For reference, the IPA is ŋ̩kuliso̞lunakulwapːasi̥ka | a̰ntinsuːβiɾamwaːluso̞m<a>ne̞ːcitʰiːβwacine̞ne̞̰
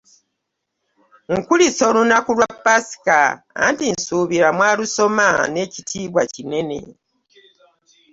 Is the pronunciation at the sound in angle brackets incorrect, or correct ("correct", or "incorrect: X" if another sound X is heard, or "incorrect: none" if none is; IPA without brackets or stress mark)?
correct